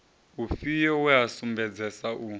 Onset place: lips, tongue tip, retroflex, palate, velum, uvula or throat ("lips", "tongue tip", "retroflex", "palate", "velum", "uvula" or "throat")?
lips